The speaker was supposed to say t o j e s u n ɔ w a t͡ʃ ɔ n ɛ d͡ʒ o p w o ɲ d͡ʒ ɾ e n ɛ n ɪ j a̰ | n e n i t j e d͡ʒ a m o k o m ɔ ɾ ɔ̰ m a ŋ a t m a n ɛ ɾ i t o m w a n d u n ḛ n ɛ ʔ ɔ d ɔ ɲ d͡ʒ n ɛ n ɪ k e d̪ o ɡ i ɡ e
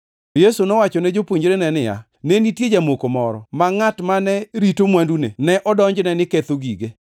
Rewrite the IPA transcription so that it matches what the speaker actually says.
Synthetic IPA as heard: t o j e s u n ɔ w a t͡ʃ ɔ n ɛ d͡ʒ o p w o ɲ d͡ʒ ɾ e n ɛ n ɪ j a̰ | n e n i t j e d͡ʒ a m o k o m ɔ ɾ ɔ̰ m a ŋ a t m a n ɛ ɾ i t o m w a n d u n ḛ n ɛ ʔ ɔ d ɔ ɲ d͡ʒ n ɛ n ɪ k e t̪ o ɡ i ɡ e